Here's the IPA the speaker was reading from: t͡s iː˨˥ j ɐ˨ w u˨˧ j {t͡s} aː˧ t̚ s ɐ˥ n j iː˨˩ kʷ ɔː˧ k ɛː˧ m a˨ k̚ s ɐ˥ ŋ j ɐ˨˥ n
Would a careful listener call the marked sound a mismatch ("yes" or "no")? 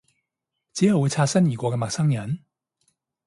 yes